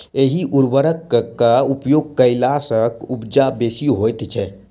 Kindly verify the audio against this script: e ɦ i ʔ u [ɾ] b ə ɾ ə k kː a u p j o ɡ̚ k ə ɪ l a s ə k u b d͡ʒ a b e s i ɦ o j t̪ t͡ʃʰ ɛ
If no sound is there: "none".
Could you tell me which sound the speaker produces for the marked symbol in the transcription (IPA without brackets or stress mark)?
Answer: ɾ